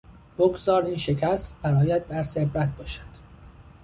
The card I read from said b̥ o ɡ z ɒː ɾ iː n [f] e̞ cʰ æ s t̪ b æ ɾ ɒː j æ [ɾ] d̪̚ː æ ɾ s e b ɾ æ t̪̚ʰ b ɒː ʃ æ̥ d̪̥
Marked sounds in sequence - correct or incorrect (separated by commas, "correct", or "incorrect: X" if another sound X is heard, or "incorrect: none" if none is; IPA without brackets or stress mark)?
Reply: incorrect: ʃ, incorrect: none